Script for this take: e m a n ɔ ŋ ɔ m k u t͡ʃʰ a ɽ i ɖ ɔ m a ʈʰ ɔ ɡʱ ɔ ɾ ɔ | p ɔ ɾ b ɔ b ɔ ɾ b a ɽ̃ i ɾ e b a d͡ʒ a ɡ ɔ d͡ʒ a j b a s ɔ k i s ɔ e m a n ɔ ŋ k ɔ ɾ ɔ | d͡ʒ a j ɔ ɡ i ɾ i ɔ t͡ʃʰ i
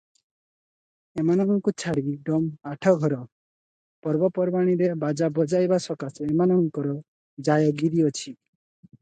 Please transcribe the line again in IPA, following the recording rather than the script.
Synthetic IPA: e m a n ɔ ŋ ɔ ŋ k u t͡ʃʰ a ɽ i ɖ ɔ m a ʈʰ ɔ ɡʱ ɔ ɾ ɔ | p ɔ ɾ b ɔ p ɔ ɾ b a ɽ̃ i ɾ e b a d͡ʒ a b ɔ d͡ʒ a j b a s ɔ k a s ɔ e m a n ɔ ŋ k ɔ ɾ ɔ | d͡ʒ a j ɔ ɡ i ɾ i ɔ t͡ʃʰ i